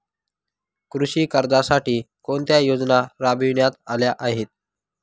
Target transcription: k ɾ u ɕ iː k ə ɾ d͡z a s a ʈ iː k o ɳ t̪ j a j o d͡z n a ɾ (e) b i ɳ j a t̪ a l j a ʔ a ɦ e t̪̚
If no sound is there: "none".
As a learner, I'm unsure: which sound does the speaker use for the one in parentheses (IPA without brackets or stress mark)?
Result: a